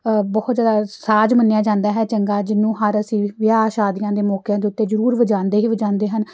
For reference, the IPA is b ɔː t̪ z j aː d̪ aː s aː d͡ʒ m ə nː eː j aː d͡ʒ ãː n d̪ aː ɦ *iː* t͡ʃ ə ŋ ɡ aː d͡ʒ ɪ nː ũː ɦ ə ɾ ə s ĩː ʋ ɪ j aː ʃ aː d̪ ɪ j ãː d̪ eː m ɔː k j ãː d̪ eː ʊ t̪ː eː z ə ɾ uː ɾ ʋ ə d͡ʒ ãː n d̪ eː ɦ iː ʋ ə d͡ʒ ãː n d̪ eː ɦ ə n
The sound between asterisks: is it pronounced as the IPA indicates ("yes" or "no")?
no